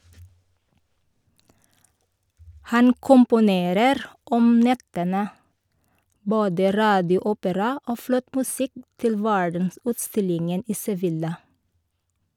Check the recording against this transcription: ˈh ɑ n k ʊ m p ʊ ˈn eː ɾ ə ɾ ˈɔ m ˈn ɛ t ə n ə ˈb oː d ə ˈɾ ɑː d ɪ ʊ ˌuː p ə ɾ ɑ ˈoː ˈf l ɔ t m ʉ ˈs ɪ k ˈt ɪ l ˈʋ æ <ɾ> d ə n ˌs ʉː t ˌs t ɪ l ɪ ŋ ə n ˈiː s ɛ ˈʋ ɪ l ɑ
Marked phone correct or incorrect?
incorrect